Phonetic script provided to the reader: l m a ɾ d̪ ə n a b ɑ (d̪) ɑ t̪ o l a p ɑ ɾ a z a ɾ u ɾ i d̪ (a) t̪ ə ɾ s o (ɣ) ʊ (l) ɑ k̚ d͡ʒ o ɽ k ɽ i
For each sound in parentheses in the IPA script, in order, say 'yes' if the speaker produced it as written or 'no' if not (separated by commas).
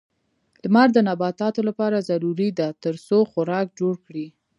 no, yes, no, no